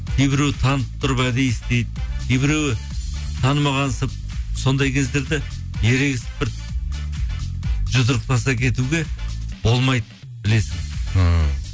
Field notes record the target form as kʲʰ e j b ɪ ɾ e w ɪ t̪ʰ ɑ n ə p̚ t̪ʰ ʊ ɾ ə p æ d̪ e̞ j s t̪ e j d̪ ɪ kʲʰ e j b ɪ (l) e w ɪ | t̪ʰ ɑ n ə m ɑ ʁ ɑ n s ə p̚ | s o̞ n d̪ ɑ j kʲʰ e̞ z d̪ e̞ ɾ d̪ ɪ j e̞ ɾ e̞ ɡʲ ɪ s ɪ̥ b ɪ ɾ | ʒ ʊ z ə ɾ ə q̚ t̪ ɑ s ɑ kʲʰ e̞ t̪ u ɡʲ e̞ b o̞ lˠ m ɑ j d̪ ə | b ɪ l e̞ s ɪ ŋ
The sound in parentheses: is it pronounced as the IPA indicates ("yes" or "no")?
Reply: no